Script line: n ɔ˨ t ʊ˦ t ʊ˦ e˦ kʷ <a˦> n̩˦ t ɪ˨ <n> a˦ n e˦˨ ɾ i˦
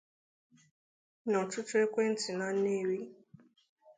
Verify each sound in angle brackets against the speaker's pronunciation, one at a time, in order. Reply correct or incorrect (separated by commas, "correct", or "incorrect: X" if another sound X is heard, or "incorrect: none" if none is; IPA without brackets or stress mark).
incorrect: e˦, correct